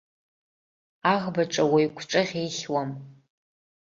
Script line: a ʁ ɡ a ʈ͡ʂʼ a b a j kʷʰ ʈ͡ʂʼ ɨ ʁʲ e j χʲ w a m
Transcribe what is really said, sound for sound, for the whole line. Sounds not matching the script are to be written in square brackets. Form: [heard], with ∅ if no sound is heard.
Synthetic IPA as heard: a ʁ [b] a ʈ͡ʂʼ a [w] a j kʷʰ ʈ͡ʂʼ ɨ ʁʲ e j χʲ w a m